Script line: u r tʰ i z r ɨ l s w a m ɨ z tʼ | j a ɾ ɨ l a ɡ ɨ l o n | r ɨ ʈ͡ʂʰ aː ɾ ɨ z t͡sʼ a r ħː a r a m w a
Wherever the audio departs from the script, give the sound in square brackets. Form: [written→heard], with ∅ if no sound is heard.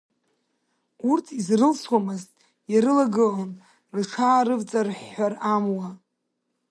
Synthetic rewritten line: u r tʰ i z r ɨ l s w a m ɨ z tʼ | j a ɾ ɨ l a ɡ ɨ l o n | r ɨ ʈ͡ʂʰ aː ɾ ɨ [z→v] t͡sʼ a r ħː a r a m w a